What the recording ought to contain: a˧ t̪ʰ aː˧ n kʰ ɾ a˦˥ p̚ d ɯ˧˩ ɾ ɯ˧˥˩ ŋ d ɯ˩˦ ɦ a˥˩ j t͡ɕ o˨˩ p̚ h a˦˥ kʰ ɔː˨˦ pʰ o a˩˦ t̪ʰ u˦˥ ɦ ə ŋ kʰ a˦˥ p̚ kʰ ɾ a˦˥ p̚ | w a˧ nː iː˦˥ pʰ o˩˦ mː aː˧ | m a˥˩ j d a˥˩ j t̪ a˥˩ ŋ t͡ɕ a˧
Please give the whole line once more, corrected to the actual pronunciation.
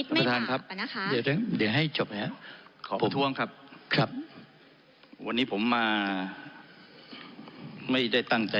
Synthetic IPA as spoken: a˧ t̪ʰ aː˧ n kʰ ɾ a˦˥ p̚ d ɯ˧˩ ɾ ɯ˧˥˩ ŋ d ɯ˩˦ ɦ a˥˩ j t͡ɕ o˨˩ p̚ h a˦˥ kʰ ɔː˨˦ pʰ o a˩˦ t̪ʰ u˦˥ ə ŋ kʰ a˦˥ p̚ kʰ ɾ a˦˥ p̚ | w a˧ nː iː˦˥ pʰ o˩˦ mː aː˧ | m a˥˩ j d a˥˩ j t̪ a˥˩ ŋ t͡ɕ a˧